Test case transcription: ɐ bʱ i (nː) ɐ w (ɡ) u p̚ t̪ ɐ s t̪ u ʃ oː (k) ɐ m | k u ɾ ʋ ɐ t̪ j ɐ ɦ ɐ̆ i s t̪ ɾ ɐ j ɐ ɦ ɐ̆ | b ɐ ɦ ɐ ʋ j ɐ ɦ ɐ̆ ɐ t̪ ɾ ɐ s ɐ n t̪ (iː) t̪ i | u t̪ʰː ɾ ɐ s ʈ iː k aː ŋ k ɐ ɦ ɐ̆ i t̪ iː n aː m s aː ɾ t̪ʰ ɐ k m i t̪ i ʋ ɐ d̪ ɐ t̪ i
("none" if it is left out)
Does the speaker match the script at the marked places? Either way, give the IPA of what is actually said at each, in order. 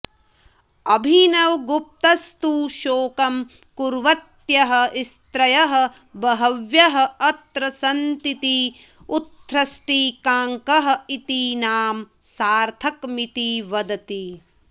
n, ɡ, k, i

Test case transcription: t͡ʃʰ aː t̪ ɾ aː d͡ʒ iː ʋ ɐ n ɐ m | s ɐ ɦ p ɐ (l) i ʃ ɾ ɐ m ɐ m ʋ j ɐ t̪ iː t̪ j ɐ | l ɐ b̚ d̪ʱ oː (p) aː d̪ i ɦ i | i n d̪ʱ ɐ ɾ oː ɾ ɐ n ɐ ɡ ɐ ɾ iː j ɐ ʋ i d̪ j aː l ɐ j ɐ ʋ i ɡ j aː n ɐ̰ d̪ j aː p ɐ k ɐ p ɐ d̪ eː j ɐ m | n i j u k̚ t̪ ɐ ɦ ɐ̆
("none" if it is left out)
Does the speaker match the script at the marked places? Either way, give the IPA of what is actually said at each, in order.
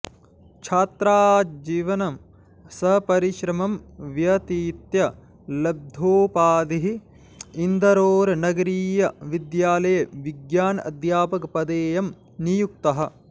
ɾ, p

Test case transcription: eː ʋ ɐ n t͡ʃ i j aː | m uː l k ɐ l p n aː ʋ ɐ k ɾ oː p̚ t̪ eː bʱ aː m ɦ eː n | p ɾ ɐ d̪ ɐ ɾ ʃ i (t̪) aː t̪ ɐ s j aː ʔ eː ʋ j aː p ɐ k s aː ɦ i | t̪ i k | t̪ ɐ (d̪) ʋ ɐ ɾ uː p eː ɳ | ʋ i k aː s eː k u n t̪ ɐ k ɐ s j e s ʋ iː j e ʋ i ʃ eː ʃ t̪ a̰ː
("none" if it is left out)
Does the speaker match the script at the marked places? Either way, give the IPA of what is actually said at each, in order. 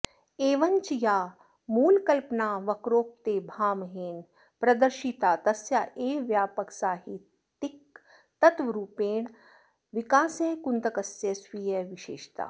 t̪, t̪

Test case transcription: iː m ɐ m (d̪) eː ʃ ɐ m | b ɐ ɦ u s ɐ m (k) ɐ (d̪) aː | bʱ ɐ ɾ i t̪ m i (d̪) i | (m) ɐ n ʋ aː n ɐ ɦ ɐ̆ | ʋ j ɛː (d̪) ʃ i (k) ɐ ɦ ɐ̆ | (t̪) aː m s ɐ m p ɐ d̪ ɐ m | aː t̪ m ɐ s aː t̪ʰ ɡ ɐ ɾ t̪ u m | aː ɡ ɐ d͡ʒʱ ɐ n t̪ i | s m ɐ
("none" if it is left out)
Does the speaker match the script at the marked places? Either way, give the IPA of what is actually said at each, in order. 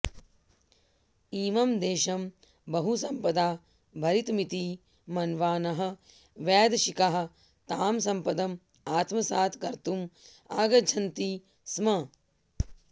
d̪, p, d̪, t̪, m, d̪, k, t̪

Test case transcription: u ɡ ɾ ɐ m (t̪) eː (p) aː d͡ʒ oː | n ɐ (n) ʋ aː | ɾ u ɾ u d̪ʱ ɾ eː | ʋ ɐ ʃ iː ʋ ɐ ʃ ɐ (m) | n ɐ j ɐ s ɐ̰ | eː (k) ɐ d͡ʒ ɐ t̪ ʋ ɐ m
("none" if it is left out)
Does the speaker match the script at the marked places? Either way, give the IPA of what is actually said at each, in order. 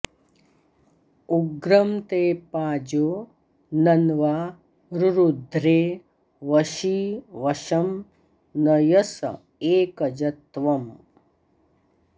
t̪, p, n, m, k

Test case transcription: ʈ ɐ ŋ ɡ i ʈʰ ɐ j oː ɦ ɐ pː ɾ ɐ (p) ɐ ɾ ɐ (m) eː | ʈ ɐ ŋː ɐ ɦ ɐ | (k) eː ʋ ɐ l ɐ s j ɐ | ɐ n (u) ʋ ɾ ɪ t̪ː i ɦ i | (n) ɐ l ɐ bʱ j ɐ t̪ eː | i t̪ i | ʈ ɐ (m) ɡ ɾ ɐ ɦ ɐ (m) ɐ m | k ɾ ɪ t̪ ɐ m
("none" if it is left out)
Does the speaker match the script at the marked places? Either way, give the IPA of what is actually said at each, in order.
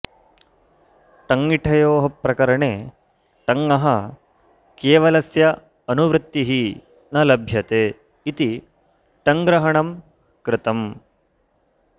k, ɳ, k, u, n, ŋ, ɳ

